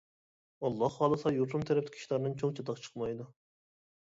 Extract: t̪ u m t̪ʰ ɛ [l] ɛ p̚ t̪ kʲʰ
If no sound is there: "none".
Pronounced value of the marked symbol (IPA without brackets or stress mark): ɾ